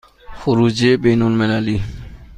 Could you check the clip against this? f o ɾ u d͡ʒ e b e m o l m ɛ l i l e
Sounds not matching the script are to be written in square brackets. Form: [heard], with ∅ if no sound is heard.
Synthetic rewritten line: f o ɾ u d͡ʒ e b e [n] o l m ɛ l [a] l [i]

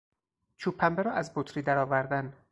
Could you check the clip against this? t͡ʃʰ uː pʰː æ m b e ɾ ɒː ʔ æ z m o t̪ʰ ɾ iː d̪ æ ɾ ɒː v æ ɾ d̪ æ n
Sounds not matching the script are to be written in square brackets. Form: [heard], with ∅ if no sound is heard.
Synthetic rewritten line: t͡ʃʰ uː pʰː æ m b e ɾ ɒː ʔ æ z [b] o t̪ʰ ɾ iː d̪ æ ɾ ɒː v æ ɾ d̪ æ n

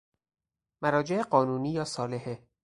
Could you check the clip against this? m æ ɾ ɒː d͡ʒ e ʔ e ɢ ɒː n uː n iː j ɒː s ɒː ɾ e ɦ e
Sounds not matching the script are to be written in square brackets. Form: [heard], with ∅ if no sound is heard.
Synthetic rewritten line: m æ ɾ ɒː d͡ʒ e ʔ e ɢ ɒː n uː n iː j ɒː s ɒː [l] e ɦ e

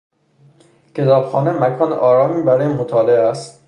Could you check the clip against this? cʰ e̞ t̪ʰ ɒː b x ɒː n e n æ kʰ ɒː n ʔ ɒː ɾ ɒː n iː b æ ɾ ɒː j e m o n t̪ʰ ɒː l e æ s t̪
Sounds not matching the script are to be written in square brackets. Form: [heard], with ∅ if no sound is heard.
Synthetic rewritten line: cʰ e̞ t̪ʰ ɒː b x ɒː n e [m] æ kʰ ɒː n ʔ ɒː ɾ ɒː [m] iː b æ ɾ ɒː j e m o [∅] t̪ʰ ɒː l e æ s t̪

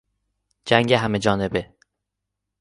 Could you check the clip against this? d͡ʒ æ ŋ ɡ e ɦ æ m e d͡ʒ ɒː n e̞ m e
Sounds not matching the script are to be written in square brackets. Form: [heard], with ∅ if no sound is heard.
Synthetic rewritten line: d͡ʒ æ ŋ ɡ e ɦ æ m e d͡ʒ ɒː n e̞ [b] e

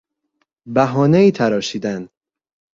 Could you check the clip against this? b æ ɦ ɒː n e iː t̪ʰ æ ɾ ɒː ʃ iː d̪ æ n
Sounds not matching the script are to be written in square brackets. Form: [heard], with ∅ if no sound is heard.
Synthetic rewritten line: b æ ɦ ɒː n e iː t̪ʰ æ ɾ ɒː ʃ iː d̪ æ n

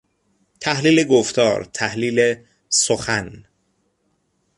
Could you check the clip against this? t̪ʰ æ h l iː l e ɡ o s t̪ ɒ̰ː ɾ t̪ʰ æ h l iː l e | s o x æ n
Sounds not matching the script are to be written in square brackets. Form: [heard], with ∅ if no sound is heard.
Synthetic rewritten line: t̪ʰ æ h l iː l e ɡ o [f] t̪ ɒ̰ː ɾ t̪ʰ æ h l iː l e | s o x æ n

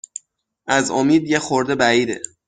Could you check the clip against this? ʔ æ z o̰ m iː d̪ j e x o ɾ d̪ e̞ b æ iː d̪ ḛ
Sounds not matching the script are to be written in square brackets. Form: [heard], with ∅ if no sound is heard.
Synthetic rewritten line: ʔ æ z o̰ m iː d̪ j e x o ɾ d̪ e̞ b æ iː d̪ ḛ

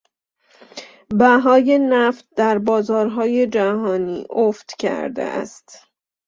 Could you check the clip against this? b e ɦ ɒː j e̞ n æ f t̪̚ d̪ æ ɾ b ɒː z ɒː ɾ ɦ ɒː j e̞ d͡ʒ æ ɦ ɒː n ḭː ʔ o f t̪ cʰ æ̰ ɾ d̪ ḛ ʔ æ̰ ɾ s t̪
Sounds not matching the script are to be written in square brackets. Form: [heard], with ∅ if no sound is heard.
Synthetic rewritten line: b [æ] ɦ ɒː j e̞ n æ f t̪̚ d̪ æ ɾ b ɒː z ɒː ɾ ɦ ɒː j e̞ d͡ʒ æ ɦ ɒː n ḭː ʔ o f t̪ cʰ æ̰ ɾ d̪ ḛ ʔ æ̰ [∅] s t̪

